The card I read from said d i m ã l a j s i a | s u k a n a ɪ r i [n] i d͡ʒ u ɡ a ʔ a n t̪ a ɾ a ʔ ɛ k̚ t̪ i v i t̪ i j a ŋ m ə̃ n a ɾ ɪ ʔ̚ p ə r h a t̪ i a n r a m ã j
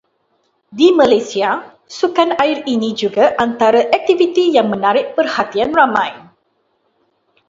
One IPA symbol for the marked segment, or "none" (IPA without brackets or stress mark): n